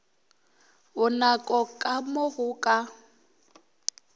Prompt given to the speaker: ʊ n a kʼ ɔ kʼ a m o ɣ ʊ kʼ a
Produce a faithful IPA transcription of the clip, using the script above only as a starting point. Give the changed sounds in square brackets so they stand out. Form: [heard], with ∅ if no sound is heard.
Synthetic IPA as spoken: ʊ n a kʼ ɔ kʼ a m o ɣ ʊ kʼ a